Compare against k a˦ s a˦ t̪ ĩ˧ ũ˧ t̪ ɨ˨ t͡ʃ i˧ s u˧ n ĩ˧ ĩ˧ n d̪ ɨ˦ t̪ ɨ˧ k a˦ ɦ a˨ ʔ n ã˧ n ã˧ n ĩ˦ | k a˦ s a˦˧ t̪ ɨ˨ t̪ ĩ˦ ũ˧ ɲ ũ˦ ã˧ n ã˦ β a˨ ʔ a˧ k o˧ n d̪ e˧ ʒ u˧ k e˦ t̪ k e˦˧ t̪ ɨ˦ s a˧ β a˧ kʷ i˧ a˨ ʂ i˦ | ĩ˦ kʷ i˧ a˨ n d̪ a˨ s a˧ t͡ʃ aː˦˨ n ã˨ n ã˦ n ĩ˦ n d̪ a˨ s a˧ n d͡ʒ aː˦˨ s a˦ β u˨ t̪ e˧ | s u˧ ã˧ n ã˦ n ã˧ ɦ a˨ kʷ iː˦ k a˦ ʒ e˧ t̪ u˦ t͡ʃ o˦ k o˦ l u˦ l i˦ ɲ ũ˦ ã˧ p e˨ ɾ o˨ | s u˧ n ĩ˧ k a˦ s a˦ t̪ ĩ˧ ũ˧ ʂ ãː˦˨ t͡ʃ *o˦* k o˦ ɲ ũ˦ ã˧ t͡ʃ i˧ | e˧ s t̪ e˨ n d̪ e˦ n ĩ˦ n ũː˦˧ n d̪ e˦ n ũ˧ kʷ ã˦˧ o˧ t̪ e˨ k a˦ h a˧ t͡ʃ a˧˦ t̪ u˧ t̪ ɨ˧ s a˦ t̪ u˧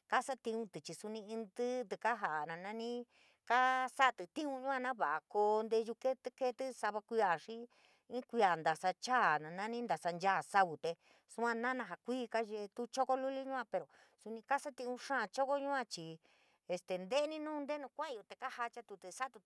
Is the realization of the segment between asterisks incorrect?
no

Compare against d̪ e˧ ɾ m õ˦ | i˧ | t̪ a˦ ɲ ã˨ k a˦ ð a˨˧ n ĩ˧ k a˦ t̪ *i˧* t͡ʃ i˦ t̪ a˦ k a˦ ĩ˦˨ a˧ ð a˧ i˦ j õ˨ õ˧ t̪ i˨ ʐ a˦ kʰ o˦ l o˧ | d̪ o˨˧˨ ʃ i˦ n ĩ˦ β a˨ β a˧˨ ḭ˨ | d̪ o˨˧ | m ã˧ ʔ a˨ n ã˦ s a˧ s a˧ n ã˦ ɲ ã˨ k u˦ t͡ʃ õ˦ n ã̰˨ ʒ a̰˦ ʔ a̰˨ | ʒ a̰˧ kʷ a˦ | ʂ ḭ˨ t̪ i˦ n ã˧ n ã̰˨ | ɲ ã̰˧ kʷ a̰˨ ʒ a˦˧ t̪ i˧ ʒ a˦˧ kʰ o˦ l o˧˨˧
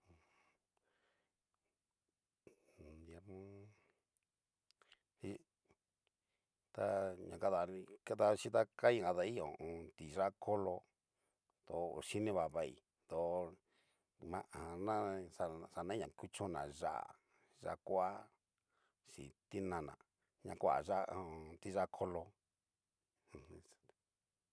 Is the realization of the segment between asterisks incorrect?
yes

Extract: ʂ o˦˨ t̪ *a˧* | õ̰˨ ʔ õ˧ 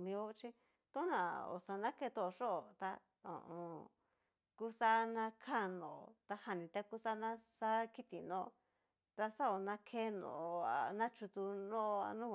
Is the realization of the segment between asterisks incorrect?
no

